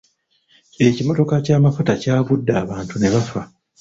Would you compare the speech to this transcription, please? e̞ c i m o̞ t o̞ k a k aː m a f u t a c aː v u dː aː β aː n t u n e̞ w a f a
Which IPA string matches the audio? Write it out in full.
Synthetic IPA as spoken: e̞ c i m o̞ t o̞ k a c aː m a f u t a c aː β u dː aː β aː n t u n e̞ β a f a

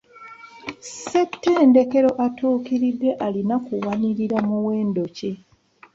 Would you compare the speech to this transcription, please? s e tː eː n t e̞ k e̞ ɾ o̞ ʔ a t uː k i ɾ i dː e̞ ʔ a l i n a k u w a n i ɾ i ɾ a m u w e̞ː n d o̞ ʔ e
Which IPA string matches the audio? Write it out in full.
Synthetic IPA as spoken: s e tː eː n d e̞ k e̞ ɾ o̞ ʔ a t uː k i ɾ i dː e̞ ʔ a l i n a k u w a n i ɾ i ɾ a m u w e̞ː n d o̞ c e

